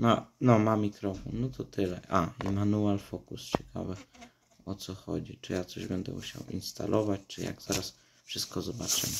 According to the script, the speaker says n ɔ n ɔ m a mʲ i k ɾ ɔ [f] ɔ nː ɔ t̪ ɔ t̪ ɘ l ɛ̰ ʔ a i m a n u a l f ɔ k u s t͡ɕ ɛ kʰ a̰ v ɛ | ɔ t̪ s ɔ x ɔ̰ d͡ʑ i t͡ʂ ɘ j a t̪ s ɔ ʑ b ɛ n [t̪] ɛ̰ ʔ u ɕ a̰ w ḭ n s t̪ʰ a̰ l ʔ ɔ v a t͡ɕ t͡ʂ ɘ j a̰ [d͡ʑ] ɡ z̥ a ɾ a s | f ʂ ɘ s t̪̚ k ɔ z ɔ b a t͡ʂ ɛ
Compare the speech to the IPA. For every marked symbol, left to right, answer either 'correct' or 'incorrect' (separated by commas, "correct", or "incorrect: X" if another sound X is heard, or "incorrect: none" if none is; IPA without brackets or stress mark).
correct, incorrect: d̪, incorrect: none